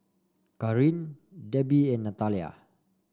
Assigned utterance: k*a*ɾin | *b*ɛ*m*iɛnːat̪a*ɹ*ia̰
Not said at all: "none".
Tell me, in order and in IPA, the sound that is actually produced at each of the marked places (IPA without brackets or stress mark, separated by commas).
a, d, b, l